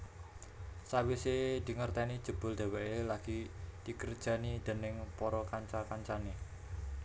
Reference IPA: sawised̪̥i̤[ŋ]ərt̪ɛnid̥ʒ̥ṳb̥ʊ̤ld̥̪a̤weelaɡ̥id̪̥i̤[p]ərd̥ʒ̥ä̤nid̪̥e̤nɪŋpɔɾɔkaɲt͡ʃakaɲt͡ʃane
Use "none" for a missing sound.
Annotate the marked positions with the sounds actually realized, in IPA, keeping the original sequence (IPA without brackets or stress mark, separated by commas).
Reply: ŋ, k